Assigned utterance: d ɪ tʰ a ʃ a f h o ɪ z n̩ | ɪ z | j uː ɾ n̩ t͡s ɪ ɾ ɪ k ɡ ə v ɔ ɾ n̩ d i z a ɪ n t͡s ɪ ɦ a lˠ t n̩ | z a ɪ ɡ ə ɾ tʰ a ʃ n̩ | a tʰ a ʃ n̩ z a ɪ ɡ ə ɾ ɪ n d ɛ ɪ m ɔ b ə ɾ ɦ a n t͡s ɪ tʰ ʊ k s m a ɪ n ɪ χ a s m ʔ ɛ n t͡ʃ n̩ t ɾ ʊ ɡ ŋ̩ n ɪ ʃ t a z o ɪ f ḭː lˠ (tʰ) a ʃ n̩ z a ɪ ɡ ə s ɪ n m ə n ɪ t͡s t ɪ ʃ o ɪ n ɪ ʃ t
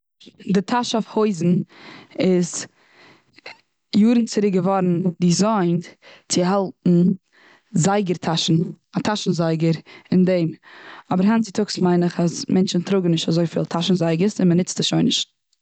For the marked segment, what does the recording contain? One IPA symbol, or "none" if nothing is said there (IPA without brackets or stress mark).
tʰ